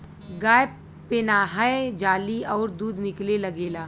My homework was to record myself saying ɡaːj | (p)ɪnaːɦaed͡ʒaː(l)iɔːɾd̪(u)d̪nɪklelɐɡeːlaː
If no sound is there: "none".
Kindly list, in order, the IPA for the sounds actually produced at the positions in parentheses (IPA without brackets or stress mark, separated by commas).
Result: p, l, uː